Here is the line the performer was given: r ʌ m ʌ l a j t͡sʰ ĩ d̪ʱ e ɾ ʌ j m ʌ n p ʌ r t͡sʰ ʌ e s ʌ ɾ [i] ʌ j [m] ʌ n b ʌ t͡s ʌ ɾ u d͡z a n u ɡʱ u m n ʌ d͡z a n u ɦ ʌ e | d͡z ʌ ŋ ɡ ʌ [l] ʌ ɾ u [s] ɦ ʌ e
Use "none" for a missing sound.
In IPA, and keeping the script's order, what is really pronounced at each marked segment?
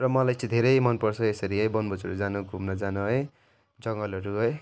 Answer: i, b, l, none

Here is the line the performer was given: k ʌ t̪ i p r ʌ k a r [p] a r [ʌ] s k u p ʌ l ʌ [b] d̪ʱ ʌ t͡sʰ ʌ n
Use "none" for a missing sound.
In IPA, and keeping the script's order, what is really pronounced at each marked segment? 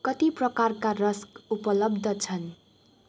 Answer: k, ʌ, b

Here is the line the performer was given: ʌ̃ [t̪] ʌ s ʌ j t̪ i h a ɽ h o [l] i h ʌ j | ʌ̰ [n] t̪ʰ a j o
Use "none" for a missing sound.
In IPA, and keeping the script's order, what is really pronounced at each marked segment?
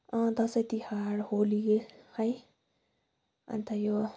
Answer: d̪, l, n

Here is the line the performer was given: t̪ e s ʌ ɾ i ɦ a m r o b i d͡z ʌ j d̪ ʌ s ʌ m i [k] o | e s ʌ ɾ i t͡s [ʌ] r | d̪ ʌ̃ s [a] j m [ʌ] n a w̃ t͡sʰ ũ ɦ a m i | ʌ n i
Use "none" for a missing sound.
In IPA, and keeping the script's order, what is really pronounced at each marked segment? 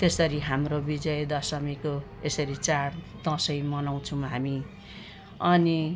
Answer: k, a, ʌ, ʌ

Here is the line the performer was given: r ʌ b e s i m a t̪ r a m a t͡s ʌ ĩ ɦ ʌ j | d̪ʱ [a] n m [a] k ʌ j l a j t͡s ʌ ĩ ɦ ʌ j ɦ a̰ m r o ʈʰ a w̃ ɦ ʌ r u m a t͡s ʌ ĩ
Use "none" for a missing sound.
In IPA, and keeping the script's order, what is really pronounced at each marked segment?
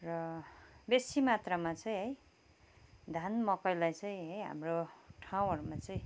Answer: a, ʌ

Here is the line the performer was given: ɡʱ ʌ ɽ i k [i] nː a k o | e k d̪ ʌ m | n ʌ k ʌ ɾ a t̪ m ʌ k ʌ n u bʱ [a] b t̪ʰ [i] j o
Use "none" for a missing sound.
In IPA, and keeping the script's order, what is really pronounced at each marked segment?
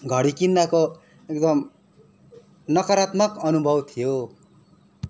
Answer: i, ʌ, i

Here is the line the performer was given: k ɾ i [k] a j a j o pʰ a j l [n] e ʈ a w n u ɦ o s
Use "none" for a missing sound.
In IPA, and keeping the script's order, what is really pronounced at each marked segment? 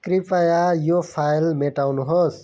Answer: p, m

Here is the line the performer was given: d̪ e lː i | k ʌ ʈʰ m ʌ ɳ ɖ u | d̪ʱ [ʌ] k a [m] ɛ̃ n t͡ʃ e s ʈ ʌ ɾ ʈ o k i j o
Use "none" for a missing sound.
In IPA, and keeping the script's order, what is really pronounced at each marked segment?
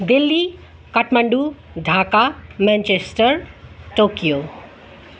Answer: a, m

